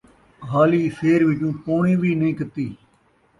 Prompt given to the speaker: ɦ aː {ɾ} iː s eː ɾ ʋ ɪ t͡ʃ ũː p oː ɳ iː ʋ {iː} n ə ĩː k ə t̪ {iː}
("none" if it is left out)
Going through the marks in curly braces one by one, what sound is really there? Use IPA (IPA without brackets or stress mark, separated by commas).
l, iː, iː